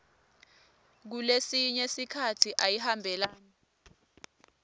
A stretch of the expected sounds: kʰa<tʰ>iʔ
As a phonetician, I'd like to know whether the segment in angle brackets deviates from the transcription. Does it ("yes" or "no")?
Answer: no